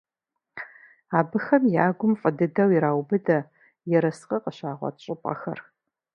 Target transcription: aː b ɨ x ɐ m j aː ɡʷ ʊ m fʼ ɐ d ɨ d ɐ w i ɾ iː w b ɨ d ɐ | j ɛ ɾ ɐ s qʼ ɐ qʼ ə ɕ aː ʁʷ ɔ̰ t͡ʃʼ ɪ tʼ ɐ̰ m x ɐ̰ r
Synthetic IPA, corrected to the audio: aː b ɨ x ɐ m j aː ɡʷ ʊ m fʼ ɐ d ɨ d ɐ w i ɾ aː w b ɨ d ɐ | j ɛ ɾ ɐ s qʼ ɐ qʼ ə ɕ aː ʁʷ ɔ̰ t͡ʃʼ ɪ pʼ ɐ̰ x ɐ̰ r